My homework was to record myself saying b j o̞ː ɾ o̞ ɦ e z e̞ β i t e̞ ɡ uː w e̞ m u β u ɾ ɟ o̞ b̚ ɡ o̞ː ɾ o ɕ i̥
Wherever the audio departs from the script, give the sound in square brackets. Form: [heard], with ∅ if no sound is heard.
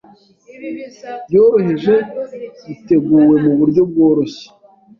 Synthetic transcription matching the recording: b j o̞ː ɾ o̞ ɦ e [ʒ] e̞ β i t e̞ ɡ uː w e̞ m u β u ɾ ɟ o̞ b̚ ɡ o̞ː ɾ o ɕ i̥